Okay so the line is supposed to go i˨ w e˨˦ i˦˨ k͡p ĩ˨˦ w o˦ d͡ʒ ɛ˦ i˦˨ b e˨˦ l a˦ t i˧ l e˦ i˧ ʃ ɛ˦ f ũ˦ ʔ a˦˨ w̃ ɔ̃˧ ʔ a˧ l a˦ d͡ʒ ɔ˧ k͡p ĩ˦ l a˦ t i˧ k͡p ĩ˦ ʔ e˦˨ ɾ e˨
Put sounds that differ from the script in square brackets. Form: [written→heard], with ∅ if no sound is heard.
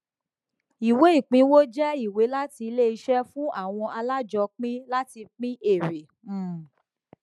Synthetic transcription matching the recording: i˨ w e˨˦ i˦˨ k͡p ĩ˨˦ w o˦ d͡ʒ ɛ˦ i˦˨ [b→w] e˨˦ l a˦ t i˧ l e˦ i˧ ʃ ɛ˦ f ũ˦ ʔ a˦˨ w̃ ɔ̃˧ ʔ a˧ l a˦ d͡ʒ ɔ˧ k͡p ĩ˦ l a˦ t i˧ k͡p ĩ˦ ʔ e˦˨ ɾ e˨